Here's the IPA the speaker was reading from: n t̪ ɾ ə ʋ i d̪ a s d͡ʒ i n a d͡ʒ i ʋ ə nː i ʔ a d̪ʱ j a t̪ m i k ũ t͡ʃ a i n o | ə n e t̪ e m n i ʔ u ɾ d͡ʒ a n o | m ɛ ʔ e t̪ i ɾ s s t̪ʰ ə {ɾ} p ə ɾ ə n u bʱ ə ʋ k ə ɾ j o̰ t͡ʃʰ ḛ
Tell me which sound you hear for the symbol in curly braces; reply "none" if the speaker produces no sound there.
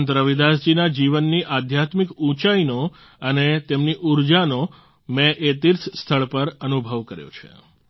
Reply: ɭ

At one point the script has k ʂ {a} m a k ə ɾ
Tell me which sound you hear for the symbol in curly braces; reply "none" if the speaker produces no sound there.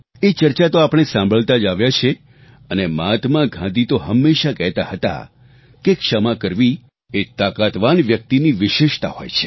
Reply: ə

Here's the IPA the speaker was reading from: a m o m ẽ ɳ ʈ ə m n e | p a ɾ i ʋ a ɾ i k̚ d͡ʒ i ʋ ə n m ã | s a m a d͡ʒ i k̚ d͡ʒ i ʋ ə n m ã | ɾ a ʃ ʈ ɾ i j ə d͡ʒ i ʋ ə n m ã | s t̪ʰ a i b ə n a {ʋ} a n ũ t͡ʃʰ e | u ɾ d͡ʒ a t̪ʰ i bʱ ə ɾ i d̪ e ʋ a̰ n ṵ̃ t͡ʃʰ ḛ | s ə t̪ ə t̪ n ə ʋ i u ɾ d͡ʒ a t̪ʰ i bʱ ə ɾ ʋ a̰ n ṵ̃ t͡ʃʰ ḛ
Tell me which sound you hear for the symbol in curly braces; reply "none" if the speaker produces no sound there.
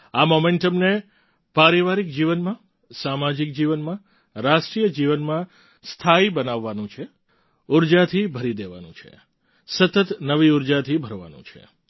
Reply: ʋː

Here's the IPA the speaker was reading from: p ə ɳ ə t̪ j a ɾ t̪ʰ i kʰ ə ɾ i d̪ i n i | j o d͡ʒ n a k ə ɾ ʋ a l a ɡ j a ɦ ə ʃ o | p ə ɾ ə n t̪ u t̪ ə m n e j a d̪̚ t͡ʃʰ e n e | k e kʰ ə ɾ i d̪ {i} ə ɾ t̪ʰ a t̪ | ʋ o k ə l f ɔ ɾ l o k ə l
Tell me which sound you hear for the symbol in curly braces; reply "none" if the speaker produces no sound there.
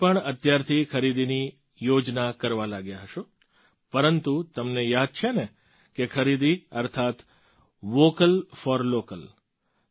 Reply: i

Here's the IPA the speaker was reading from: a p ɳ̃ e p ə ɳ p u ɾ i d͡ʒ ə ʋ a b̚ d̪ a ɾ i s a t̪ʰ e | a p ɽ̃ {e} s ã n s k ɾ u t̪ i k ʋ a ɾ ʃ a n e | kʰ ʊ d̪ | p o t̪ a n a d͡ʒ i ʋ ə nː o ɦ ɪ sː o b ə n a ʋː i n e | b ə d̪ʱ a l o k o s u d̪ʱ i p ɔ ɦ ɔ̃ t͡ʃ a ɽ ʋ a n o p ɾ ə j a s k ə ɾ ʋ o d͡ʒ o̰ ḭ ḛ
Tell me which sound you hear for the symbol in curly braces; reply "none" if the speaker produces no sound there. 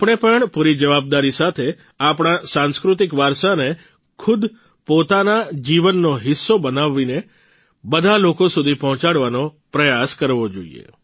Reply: a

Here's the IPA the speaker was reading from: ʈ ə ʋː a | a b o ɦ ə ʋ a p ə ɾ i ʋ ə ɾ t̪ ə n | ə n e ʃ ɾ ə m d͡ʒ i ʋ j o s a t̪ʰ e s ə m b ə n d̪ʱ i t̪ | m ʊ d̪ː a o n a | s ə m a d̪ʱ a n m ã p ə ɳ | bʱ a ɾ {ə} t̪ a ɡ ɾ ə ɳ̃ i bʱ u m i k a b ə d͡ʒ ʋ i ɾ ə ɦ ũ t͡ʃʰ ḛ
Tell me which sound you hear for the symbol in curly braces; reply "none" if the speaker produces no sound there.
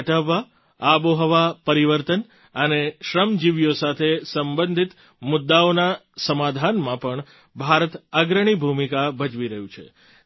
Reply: ə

